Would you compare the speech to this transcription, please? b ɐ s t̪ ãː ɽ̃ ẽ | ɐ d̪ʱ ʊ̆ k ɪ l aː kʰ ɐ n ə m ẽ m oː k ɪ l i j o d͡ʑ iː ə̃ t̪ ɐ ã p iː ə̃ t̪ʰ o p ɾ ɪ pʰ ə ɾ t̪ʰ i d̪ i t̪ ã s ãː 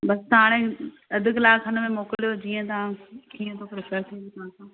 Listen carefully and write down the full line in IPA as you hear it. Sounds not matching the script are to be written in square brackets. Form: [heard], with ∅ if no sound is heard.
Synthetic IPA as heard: b ɐ s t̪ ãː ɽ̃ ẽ | ɐ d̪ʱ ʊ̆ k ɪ l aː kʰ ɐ n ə m ẽ m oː k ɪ l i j o d͡ʑ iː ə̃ t̪ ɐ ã [k] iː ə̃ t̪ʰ o p ɾ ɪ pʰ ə ɾ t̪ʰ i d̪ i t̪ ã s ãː

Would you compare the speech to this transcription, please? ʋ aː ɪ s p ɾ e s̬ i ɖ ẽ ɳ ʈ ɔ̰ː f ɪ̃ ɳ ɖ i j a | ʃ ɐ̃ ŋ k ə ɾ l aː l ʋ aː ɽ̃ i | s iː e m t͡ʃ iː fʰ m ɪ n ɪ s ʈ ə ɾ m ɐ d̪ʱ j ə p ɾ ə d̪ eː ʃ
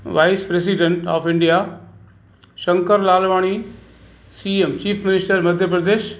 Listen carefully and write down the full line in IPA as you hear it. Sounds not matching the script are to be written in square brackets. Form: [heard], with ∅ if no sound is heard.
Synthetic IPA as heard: ʋ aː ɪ s p ɾ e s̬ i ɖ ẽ ɳ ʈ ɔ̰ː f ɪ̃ ɳ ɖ i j a | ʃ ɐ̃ ŋ k ə ɾ l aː l ʋ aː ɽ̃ i | s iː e m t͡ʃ iː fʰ m ɪ n ɪ s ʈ ə ɾ m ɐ d̪ʱ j ə p ɾ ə d̪ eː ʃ

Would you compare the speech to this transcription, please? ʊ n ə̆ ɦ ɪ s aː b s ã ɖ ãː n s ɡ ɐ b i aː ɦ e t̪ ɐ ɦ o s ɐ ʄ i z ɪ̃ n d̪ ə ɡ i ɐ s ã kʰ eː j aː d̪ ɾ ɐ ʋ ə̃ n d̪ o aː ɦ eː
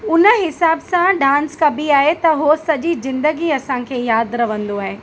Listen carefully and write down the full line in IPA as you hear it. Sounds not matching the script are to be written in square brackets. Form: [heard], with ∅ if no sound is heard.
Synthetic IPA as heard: ʊ n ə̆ ɦ ɪ s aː b s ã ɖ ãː n s [k] ɐ b i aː ɦ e t̪ ɐ ɦ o s ɐ ʄ i z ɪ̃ n d̪ ə ɡ i ɐ s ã kʰ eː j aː d̪ ɾ ɐ ʋ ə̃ n d̪ o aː ɦ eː

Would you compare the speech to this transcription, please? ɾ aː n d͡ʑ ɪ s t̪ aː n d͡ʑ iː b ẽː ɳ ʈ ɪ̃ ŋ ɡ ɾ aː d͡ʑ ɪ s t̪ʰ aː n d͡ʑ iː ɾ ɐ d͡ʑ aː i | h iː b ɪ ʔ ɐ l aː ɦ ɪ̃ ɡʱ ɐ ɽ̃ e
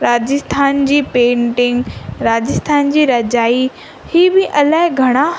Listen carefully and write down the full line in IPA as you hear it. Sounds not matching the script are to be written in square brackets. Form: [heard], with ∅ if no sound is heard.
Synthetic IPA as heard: ɾ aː [∅] d͡ʑ ɪ s [t̪ʰ] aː n d͡ʑ iː [p] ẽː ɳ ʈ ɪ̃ ŋ ɡ ɾ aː d͡ʑ ɪ s t̪ʰ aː n d͡ʑ iː ɾ ɐ d͡ʑ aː i | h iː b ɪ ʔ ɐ l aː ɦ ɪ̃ ɡʱ ɐ ɽ̃ [a]

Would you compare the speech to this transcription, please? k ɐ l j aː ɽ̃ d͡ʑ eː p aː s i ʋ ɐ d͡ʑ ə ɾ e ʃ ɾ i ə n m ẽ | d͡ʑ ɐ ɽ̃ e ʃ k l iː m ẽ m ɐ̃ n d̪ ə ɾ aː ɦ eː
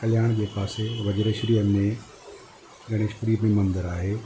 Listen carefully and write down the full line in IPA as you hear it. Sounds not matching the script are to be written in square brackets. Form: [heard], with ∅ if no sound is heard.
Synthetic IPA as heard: k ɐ l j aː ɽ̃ d͡ʑ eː p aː s [e] ʋ ɐ d͡ʑ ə ɾ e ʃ ɾ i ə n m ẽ | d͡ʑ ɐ ɽ̃ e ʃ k [ɾ] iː m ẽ m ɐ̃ n d̪ ə ɾ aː ɦ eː

